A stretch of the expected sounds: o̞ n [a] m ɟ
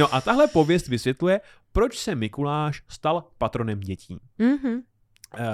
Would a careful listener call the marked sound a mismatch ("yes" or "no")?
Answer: yes